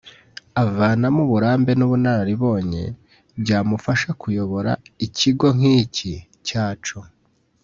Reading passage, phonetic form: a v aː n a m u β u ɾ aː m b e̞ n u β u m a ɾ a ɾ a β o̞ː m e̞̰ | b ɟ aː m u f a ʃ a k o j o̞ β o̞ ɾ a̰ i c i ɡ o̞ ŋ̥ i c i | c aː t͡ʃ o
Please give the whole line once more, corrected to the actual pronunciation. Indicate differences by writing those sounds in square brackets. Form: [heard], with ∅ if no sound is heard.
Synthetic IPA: a v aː n a m u β u ɾ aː m b e̞ n u β u [n] a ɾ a ɾ [i] β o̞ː [ɲ] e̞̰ | b ɟ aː m u f a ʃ a k [u] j o̞ β o̞ ɾ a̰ i c i ɡ o̞ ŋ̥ i c i | c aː t͡ʃ o